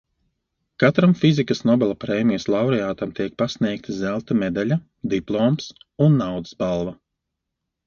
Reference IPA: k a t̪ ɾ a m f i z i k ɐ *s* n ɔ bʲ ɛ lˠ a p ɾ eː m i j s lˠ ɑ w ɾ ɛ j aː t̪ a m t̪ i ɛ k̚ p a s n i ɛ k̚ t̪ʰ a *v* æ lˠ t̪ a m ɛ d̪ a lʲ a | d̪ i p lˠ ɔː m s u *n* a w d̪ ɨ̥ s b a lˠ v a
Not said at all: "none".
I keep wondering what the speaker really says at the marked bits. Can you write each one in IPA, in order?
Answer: s, z, nː

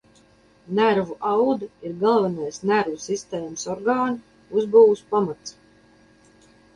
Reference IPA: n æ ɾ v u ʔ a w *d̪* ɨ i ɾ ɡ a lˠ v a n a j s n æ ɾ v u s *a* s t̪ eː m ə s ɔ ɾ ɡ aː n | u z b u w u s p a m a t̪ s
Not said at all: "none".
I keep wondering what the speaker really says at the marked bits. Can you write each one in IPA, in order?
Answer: d̪, i

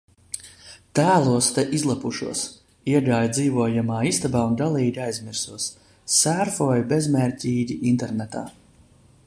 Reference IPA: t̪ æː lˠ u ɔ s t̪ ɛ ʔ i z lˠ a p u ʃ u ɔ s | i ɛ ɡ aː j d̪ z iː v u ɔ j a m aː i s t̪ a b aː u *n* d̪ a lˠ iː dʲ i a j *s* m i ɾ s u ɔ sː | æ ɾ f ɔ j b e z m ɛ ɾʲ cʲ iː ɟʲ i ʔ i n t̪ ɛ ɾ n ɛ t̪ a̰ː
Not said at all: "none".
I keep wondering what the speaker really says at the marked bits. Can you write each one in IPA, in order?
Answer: n, z

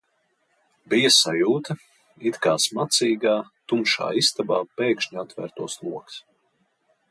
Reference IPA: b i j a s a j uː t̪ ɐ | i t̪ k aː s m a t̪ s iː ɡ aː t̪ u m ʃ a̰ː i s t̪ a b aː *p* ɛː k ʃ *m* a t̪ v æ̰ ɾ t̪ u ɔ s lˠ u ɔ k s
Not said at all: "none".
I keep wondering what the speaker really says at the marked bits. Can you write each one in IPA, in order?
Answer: p, ɲ

